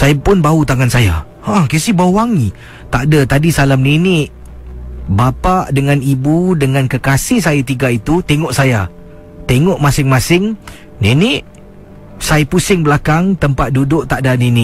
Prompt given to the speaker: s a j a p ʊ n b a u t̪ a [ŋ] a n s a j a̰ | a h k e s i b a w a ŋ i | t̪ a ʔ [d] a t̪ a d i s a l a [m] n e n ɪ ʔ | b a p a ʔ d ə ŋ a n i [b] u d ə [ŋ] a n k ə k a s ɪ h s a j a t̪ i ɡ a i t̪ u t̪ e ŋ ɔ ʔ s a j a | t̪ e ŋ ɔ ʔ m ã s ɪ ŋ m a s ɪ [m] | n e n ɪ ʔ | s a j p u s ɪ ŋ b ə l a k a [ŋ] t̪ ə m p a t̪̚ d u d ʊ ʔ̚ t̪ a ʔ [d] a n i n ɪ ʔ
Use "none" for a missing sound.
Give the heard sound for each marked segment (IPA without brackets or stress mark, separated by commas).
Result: ŋ, d, m, b, ŋ, ŋ, ŋ, d